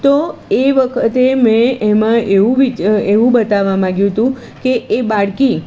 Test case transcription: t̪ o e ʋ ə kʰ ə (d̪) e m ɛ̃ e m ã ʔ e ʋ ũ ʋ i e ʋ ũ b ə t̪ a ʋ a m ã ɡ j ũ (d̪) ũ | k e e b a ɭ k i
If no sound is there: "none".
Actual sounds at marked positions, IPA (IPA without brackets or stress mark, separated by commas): t̪, t̪